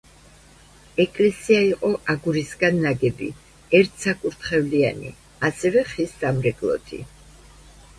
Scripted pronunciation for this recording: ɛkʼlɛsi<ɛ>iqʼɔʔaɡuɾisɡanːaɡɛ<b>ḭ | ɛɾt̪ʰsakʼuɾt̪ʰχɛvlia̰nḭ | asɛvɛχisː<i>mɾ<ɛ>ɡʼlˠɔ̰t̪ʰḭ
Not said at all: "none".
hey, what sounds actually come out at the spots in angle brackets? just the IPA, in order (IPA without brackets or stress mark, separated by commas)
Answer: a, b, a, ɛ